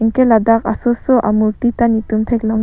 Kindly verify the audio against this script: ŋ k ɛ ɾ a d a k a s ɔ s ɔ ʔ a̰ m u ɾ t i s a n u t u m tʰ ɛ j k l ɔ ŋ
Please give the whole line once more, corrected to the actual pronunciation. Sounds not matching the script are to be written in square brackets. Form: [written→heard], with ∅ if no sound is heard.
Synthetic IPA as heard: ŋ k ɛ [ɾ→l] a d a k a s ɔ s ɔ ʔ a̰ m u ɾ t i [s→t] a n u t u m tʰ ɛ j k l ɔ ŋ